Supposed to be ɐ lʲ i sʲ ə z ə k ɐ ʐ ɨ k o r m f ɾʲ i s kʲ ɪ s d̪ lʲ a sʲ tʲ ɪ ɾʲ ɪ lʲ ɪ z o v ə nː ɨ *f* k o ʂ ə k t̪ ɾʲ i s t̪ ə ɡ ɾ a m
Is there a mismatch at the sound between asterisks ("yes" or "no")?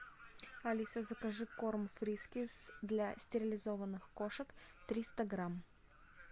yes